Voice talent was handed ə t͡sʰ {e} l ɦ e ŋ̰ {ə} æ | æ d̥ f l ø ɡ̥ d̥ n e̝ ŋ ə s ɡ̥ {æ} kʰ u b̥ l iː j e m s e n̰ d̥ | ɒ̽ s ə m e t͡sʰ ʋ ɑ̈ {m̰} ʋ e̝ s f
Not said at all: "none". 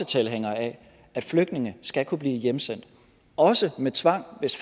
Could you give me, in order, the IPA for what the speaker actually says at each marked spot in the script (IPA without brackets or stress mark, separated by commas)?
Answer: e, ɐ, æ, ŋ̰